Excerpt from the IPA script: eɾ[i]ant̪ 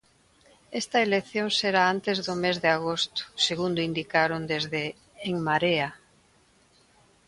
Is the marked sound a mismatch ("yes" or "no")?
yes